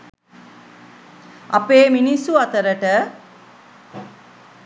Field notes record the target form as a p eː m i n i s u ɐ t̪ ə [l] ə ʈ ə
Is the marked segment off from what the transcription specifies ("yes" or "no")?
yes